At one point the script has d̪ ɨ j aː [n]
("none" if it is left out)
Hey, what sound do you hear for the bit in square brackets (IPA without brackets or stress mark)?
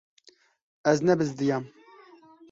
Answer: m